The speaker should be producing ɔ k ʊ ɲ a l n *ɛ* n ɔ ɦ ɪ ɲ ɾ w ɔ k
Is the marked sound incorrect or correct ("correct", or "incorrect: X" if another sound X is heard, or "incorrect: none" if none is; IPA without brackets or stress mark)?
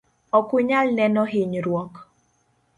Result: correct